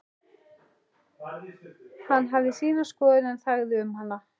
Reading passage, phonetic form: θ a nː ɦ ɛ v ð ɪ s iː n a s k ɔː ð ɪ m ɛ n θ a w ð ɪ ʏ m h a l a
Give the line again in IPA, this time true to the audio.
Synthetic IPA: h a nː ɦ a v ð ɪ s iː n a s k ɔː ð ɪ n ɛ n θ a ɣ ð ɪ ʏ m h a l a